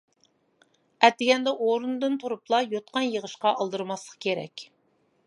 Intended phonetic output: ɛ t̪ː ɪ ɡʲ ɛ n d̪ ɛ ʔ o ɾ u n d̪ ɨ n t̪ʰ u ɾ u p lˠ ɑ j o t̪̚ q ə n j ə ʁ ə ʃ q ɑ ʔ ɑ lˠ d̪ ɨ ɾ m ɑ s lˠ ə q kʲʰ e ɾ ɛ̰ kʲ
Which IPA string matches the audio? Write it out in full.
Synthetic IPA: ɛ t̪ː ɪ ɡʲ ɛ n d̪ ɛ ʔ o ɾ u n d̪ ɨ n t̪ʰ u ɾ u p lˠ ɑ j o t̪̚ q ɑ n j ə ʁ ə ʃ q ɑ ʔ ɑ lˠ d̪ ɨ ɾ m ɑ s lˠ ə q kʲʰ e ɾ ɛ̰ kʲ